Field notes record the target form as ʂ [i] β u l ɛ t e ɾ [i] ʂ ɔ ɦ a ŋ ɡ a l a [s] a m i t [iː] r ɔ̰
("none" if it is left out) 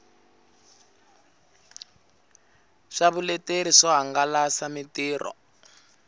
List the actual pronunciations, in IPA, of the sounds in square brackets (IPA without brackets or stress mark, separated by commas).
a, i, s, iː